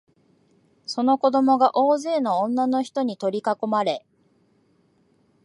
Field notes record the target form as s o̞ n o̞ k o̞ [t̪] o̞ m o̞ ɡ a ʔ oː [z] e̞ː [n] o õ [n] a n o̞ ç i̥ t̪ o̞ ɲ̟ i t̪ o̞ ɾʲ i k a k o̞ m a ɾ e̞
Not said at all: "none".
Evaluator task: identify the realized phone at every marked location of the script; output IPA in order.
d̪, z, n, nː

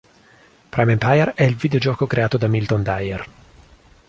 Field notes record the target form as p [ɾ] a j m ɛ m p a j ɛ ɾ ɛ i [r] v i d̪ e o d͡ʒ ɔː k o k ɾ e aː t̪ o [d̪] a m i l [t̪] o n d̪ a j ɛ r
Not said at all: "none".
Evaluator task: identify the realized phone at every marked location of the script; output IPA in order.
ɾ, l, d̪, t̪

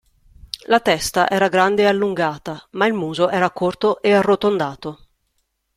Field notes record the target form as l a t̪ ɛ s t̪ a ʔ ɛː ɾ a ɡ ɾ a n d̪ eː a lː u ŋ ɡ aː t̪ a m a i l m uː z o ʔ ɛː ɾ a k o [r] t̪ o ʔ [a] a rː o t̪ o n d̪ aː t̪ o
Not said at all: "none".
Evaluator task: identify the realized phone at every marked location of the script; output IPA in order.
r, e

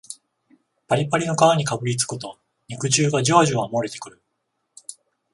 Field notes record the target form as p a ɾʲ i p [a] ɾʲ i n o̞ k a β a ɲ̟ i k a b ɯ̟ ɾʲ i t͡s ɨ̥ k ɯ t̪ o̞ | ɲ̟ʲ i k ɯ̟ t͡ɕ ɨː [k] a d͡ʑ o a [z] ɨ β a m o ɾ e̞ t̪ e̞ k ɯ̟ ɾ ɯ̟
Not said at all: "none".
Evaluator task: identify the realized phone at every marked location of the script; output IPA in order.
a, ɡ, ʑ

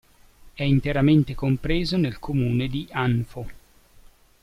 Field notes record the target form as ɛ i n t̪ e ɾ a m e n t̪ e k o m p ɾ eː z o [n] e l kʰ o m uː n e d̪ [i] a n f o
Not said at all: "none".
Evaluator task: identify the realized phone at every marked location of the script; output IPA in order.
n, i

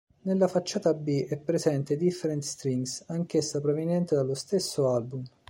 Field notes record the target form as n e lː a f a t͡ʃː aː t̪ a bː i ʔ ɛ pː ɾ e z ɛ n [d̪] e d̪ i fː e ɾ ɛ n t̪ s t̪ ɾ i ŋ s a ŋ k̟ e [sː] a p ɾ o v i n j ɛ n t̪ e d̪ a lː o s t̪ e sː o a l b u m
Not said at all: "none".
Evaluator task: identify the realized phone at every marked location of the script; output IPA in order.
t̪, sː

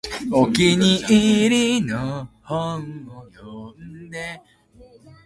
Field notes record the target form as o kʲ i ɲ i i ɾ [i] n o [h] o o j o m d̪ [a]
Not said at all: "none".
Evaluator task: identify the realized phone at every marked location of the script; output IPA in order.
i, h, e

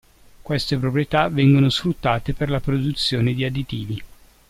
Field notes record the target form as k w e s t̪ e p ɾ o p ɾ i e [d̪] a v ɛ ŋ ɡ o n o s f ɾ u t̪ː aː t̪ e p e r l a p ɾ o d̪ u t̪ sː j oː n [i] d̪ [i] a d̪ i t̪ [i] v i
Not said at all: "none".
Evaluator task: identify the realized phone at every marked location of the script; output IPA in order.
t̪, e, i, iː

